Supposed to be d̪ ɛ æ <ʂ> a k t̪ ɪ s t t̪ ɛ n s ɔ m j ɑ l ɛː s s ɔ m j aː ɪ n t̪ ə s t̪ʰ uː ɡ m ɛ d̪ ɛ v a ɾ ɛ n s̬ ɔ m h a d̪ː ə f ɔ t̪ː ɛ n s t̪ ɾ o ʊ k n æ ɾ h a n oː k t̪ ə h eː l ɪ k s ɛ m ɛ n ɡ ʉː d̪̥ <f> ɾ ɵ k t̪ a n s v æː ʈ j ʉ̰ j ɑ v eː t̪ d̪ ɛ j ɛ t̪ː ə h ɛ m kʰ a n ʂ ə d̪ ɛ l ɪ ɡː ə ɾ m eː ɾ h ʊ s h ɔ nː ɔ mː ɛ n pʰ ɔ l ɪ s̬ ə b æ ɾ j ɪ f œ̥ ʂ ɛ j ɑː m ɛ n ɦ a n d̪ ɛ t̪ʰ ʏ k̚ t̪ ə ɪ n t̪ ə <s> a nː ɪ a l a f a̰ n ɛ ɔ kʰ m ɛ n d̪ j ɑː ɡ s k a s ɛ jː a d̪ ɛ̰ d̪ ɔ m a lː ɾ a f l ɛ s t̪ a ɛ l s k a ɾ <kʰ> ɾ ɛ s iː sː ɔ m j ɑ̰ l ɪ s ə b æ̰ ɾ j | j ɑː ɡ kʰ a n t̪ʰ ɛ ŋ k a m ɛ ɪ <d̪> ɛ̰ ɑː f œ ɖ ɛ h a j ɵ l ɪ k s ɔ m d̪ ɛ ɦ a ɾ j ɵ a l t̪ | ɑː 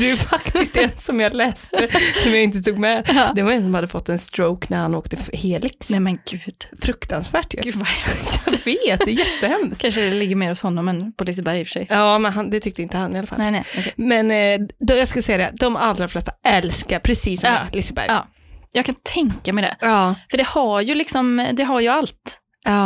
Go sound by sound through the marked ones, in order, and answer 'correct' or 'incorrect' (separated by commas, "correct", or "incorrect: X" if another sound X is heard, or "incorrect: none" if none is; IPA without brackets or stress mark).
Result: incorrect: f, correct, incorrect: h, incorrect: pʰ, correct